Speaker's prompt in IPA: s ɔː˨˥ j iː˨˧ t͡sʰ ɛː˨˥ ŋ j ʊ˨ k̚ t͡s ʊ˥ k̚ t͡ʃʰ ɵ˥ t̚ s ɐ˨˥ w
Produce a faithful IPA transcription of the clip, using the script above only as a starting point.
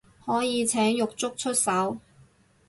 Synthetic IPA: h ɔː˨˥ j iː˨˧ t͡sʰ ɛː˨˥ ŋ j ʊ˨ k̚ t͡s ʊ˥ k̚ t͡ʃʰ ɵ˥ t̚ s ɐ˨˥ w